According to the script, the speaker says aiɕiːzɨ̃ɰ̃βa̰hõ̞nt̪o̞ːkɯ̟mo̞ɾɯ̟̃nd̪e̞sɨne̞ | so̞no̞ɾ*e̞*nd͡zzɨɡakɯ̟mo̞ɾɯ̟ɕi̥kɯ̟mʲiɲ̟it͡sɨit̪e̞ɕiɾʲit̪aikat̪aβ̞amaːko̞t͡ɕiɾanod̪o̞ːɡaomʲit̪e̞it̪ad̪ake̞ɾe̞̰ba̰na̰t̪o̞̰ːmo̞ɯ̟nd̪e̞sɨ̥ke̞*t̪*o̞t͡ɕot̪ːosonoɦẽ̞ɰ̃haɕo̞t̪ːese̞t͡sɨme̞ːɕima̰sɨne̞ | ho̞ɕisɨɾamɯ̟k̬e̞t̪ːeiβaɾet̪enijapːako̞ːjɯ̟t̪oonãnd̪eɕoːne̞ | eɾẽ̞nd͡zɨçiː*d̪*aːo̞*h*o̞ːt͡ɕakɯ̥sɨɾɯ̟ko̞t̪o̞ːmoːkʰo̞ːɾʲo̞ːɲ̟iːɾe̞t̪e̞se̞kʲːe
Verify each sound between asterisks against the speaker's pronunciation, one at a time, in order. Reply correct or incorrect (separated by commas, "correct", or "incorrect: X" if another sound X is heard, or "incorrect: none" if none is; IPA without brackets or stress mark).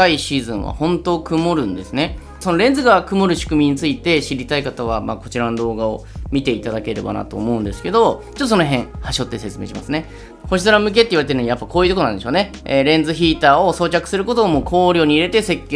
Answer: incorrect: ẽ̞, incorrect: d̪, incorrect: t̪, incorrect: s